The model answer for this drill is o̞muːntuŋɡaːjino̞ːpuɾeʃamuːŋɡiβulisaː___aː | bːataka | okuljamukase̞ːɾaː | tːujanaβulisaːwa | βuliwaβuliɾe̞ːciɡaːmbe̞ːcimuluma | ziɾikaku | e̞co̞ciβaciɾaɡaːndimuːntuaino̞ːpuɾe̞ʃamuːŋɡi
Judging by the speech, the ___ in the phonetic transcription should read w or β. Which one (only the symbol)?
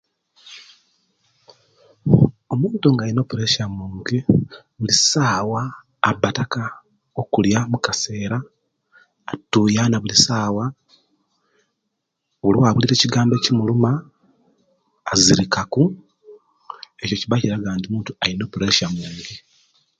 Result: w